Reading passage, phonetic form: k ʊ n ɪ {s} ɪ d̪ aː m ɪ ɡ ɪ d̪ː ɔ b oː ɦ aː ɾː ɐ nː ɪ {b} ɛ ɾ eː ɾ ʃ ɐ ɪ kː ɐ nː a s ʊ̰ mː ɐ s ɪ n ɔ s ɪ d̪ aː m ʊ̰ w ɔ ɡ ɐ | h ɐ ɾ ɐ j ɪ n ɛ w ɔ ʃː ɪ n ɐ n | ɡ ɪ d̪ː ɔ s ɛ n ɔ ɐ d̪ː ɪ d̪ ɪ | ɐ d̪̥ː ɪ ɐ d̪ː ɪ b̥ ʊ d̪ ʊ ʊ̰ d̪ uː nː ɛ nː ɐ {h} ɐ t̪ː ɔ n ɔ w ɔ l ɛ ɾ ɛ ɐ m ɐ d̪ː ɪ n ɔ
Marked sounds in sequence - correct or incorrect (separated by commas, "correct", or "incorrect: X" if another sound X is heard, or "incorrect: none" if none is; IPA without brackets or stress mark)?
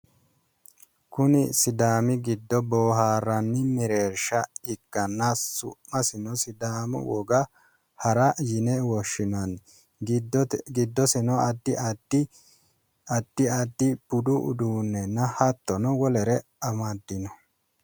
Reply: correct, incorrect: m, correct